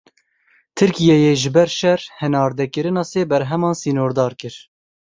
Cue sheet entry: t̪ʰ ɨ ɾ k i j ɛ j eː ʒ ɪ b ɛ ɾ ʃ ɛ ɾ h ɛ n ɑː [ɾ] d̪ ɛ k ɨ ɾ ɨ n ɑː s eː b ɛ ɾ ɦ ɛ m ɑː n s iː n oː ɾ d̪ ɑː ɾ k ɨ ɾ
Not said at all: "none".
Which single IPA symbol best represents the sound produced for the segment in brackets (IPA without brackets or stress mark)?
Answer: ɾ